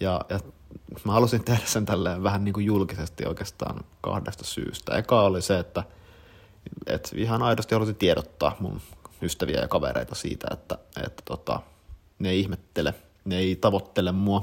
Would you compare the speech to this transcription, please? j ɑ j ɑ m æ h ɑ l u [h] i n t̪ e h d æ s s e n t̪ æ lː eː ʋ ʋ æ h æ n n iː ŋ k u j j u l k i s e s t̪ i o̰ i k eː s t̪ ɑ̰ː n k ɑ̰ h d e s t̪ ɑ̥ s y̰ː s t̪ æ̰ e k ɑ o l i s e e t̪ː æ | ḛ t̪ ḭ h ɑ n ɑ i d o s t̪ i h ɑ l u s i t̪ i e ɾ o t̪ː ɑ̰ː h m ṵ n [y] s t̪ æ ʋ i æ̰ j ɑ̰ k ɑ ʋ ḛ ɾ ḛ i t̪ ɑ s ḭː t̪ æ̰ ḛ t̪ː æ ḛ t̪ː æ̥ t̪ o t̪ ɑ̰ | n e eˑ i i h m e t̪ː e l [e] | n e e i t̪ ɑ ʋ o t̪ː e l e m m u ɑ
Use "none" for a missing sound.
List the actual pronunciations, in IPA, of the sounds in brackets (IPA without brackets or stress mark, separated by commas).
s, y, e